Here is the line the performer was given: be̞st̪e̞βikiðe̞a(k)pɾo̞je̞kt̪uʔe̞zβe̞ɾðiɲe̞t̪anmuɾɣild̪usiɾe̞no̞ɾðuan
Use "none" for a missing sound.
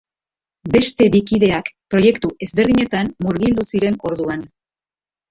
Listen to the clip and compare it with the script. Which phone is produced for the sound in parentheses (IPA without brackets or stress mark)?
k